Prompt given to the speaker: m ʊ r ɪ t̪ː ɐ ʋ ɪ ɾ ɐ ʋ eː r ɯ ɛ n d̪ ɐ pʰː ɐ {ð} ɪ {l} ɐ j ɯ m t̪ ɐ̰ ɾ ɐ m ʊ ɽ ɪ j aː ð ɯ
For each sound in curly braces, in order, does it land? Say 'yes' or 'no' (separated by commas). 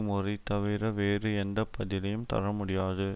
yes, yes